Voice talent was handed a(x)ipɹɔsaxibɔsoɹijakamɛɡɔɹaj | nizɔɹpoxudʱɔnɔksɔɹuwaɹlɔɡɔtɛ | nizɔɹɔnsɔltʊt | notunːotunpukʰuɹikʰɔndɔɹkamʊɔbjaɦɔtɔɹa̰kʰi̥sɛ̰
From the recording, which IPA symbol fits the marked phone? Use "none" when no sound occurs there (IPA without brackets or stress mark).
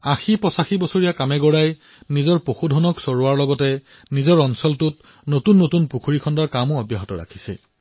x